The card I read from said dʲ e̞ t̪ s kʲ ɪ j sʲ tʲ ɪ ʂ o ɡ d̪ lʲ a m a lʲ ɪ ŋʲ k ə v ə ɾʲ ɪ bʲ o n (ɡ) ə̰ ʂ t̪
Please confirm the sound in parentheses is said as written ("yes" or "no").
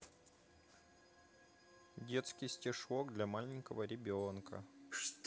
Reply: no